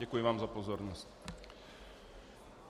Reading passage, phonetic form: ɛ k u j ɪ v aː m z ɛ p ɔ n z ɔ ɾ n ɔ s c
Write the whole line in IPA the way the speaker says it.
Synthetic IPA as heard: ɛ k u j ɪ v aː m z a p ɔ z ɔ ɾ n ɔ s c